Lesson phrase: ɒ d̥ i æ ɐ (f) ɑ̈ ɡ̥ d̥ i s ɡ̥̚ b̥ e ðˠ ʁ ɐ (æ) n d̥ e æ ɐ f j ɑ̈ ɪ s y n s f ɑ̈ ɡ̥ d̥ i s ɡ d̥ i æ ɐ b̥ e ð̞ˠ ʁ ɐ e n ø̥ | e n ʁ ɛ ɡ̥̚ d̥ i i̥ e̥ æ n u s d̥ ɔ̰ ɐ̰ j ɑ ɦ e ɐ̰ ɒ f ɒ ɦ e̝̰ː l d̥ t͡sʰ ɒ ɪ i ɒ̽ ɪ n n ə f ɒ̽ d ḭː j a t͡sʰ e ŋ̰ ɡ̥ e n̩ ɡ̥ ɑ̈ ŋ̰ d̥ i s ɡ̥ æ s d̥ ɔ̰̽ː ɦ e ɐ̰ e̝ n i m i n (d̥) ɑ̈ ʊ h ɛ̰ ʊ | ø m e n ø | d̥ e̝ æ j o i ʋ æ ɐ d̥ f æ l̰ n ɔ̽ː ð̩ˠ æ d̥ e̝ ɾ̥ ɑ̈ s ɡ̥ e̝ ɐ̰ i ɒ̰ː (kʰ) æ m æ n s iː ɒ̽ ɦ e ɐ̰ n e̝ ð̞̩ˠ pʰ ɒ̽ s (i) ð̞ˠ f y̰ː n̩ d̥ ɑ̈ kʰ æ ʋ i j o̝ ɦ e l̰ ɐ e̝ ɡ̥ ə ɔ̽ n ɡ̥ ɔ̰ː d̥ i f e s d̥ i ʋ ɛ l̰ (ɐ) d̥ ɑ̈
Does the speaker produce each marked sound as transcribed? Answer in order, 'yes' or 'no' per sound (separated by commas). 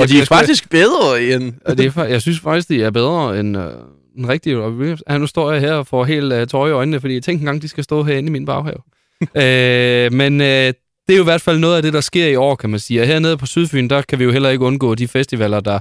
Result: yes, no, no, yes, no, yes